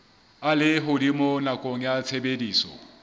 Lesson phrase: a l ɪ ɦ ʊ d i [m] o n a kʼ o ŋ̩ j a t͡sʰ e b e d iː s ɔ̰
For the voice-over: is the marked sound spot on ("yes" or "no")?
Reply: yes